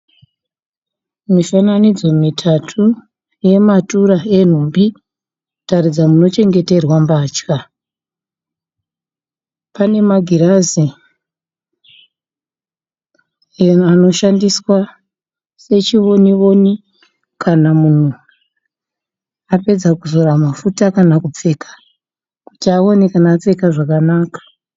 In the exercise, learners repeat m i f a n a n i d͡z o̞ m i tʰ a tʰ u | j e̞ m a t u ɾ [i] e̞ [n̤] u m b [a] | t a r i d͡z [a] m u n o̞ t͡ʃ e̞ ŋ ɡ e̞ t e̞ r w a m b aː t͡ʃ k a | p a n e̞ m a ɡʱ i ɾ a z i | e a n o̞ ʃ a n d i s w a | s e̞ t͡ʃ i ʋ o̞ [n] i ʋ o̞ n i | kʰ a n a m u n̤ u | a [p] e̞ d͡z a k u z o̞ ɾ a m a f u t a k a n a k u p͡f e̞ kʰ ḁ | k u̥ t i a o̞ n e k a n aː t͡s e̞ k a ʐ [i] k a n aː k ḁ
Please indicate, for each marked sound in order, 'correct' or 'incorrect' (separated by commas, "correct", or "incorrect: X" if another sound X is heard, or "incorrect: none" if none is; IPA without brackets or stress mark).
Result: incorrect: a, correct, incorrect: i, correct, correct, correct, incorrect: a